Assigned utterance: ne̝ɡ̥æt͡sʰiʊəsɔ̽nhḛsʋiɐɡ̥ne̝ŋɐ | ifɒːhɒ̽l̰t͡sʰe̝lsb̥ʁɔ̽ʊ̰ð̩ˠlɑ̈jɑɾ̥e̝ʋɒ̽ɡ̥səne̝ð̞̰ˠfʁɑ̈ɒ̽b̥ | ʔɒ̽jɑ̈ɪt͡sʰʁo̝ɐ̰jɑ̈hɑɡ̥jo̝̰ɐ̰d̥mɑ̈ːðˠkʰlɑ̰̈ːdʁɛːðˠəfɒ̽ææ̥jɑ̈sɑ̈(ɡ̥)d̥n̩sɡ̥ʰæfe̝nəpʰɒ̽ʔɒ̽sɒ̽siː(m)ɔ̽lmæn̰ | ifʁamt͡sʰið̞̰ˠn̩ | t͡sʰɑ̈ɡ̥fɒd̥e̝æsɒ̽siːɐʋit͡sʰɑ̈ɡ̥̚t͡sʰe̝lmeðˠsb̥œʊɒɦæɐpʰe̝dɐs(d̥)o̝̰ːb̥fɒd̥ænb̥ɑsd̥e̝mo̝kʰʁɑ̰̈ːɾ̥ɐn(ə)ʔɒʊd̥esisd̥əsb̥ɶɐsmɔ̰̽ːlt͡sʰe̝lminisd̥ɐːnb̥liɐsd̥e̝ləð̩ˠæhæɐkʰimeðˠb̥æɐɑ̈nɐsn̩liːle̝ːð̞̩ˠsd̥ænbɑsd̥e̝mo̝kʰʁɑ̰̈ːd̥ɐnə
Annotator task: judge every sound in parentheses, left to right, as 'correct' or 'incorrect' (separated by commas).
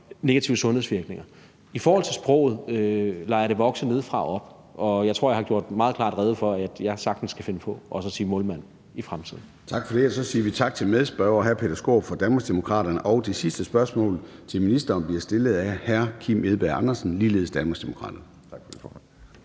correct, correct, incorrect, correct